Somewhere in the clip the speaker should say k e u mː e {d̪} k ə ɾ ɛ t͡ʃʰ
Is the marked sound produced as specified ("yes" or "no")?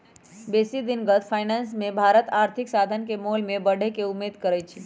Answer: yes